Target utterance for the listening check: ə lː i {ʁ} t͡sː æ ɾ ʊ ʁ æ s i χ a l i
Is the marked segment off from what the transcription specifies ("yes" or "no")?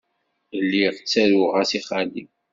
no